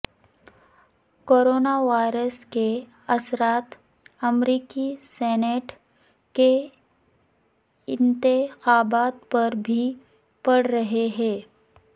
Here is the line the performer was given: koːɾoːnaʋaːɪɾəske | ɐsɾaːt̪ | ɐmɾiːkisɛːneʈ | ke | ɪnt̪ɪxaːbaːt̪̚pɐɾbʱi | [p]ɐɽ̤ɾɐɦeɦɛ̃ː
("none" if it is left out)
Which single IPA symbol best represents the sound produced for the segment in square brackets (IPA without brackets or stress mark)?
p